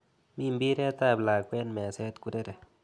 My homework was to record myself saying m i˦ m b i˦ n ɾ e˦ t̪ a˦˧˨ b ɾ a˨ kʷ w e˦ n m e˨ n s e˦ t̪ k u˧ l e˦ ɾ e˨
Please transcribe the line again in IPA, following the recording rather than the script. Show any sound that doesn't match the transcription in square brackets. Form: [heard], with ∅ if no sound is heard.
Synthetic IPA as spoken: m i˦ m b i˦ [∅] ɾ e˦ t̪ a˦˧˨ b [l] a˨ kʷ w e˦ n m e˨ [∅] s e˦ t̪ k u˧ [ɾ] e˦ ɾ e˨